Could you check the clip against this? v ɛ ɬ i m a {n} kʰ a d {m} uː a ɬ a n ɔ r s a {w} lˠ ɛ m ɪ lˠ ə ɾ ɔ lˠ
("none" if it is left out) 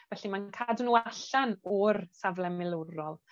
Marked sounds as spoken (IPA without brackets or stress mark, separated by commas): n, n, v